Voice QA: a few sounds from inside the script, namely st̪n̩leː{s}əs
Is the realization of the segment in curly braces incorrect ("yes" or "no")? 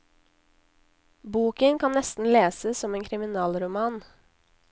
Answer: no